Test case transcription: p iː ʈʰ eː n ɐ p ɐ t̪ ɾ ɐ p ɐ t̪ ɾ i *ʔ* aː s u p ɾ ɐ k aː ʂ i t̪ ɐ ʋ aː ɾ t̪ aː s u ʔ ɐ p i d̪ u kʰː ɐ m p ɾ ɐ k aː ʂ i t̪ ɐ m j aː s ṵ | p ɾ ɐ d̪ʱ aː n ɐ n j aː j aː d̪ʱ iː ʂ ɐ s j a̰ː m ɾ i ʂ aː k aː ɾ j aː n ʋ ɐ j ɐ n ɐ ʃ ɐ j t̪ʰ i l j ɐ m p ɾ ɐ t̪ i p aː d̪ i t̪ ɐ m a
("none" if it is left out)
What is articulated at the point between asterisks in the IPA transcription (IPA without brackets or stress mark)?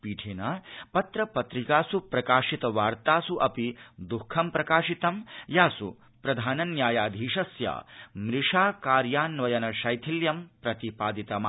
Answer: k